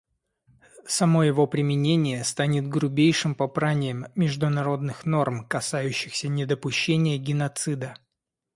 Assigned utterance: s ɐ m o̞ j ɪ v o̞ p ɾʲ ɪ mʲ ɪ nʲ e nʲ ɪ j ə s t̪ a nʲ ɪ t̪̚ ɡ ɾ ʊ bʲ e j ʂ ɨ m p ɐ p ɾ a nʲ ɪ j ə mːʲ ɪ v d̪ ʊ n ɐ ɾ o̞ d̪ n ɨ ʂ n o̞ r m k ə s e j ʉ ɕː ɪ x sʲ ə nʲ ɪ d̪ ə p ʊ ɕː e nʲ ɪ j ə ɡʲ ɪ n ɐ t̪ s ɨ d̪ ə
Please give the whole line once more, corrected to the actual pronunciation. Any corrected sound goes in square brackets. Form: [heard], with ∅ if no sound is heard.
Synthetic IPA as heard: s ɐ m o̞ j ɪ v o̞ p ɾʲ ɪ mʲ ɪ nʲ e nʲ ɪ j ə s t̪ a nʲ ɪ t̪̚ ɡ ɾ ʊ bʲ e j ʂ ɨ m p ɐ p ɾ a nʲ ɪ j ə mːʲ ɪ [ʐ] d̪ ʊ n ɐ ɾ o̞ d̪ n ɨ [x] n o̞ r m k [ɐ] s [a] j ʉ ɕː ɪ x sʲ ə nʲ ɪ d̪ ə p ʊ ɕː e nʲ ɪ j ə ɡʲ ɪ n ɐ t̪ s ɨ d̪ ə